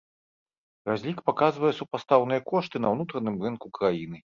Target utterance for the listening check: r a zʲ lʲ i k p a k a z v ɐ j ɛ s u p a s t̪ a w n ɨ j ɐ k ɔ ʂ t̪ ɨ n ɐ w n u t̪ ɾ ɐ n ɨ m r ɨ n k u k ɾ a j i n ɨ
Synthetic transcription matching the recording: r a zʲ lʲ i k p a k a z v ɐ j ɛ s u p a s t̪ a w n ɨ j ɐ k ɔ ʂ t̪ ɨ n ɐ w n u t̪ ɾ ɐ n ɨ m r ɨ n k u k ɾ a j i n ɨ

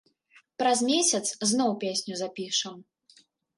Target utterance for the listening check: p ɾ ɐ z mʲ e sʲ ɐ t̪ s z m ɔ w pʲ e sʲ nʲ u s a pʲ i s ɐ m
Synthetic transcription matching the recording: p ɾ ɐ z mʲ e sʲ ɐ t̪ s z n ɔ w pʲ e sʲ nʲ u z a pʲ i ʂ ɐ m

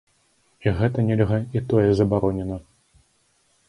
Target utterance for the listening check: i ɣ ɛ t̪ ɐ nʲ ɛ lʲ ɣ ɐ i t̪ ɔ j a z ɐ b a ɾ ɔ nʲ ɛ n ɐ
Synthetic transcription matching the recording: i ɣ ɛ t̪ ɐ nʲ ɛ lʲ ɣ ɐ i t̪ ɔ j ɛ z ɐ b a ɾ ɔ nʲ ɛ n ɐ

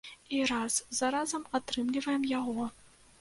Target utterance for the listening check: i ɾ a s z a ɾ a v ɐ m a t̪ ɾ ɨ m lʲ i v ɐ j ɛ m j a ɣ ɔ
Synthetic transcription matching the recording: i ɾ a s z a ɾ a z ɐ m a t̪ ɾ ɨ m lʲ i v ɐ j ɛ m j a ɣ ɔ

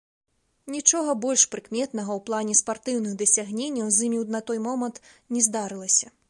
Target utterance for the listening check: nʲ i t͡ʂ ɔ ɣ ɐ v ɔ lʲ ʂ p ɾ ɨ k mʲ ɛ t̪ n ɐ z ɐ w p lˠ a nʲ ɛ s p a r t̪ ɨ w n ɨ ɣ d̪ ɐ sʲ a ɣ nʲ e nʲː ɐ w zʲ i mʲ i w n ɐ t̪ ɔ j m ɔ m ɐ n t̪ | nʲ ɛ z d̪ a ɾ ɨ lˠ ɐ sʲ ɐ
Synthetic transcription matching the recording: nʲ i t͡ʂ ɔ ɣ ɐ b ɔ lʲ ʂ p ɾ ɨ k mʲ ɛ t̪ n ɐ ɣ ɐ w p lˠ a nʲ ɛ s p a r t̪ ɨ w n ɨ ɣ d̪ ɐ sʲ a ɣ nʲ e nʲː ɐ w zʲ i mʲ i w n ɐ t̪ ɔ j m ɔ m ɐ n t̪ | nʲ ɛ z d̪ a ɾ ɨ lˠ ɐ sʲ ɐ

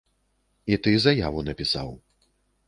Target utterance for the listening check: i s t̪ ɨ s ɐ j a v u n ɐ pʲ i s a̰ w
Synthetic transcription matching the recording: i t̪ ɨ z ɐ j a v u n ɐ pʲ i s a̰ w

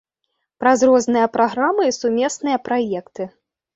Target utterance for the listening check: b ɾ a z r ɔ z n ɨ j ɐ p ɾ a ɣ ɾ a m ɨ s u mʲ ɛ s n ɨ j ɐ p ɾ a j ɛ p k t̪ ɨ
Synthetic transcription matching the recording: p ɾ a z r ɔ z n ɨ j ɐ p ɾ a ɣ ɾ a m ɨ s u mʲ ɛ s n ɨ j ɐ p ɾ a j ɛ k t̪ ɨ

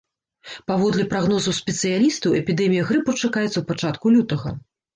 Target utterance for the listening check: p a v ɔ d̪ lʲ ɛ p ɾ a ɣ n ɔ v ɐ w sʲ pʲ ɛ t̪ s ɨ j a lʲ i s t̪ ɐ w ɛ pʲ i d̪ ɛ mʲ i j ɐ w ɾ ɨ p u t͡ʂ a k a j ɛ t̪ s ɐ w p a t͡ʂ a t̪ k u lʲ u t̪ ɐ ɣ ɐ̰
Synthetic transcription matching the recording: p a v ɔ d̪ lʲ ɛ p ɾ a ɣ n ɔ z ɐ w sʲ pʲ ɛ t̪ s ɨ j a lʲ i s t̪ ɐ w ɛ pʲ i d̪ ɛ mʲ i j ɐ ɣ ɾ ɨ p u t͡ʂ a k a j ɛ t̪ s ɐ w p a t͡ʂ a t̪ k u lʲ u t̪ ɐ ɣ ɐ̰

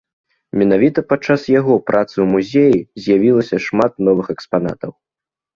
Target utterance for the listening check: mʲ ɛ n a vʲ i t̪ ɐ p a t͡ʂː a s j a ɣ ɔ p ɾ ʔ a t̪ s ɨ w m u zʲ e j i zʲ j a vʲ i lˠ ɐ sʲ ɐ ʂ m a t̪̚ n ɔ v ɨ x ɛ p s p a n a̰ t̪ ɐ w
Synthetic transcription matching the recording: mʲ ɛ n a vʲ i t̪ ɐ p a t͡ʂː a s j a ɣ ɔ p ɾ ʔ a t̪ s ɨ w m u zʲ e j i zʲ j a vʲ i lˠ ɐ sʲ ɐ ʂ m a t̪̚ n ɔ v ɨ x ɛ k s p a n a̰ t̪ ɐ w

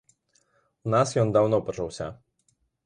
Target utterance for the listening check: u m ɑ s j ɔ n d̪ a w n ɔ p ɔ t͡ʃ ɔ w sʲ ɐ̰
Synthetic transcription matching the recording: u n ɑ s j ɔ n d̪ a w n ɔ p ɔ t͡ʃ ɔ w sʲ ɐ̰

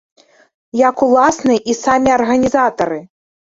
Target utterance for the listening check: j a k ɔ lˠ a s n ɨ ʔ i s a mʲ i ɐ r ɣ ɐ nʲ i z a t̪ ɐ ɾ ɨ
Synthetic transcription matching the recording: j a k u lˠ a s n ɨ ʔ i s a mʲ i ɐ r ɣ ɐ nʲ i z a t̪ ɐ ɾ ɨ

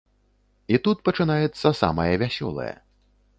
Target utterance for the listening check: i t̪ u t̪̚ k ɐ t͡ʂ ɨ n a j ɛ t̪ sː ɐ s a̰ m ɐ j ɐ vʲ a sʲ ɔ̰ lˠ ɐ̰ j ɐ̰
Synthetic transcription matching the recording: i t̪ u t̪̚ p ɐ t͡ʂ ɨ n a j ɛ t̪ sː ɐ s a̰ m ɐ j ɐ vʲ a sʲ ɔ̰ lˠ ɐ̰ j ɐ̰

